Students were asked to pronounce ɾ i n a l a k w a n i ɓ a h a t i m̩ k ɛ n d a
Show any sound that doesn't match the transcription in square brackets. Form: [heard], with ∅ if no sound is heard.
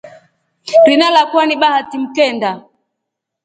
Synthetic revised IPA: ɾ i n a l a k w a n i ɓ a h a t i m̩ k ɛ n d a